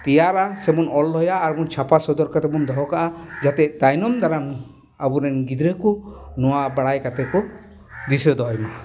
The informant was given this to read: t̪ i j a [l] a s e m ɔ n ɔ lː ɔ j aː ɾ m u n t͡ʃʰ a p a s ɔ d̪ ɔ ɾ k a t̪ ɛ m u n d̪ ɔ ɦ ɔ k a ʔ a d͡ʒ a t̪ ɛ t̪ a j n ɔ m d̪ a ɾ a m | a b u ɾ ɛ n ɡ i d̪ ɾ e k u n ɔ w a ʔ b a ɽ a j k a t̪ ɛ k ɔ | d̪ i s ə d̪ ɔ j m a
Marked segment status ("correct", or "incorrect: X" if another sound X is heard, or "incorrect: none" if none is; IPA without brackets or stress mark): incorrect: ɾ